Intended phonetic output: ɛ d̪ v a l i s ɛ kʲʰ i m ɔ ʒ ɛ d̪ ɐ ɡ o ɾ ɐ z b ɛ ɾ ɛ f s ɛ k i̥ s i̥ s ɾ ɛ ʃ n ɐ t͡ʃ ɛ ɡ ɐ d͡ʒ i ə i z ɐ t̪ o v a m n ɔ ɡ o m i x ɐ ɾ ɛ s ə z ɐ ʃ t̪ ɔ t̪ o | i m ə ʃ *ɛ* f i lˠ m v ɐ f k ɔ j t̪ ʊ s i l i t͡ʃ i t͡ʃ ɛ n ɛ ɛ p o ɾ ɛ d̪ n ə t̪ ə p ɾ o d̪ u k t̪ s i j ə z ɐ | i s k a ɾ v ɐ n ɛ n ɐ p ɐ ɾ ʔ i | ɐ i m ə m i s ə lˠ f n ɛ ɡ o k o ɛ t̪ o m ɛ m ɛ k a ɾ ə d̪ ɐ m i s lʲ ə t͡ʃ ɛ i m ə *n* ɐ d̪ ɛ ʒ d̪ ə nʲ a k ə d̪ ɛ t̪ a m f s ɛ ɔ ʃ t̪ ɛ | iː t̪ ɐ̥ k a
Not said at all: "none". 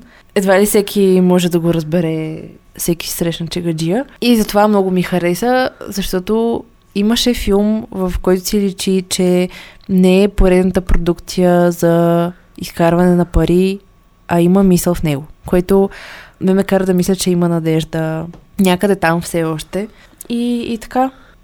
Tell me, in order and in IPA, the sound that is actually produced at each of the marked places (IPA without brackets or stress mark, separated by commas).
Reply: ɛ, n